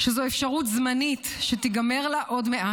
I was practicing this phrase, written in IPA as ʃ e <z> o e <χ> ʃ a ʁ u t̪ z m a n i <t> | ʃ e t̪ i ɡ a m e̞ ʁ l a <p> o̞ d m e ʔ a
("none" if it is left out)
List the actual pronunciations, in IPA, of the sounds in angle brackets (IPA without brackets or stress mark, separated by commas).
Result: z, f, t, ʔ